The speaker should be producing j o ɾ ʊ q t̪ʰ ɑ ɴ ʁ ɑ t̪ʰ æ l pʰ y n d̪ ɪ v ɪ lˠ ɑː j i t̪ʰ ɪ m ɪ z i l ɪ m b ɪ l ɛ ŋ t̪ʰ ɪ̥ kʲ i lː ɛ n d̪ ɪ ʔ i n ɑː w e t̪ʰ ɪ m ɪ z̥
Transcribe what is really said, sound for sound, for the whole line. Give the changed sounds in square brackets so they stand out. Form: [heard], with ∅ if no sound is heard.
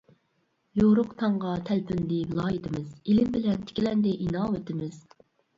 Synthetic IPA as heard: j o ɾ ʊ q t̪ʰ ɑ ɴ ʁ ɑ t̪ʰ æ l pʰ y n d̪ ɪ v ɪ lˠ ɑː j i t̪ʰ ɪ m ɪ z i l ɪ m b ɪ l ɛ [n] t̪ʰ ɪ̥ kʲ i [l] ɛ n d̪ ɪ ʔ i n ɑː w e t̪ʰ ɪ m ɪ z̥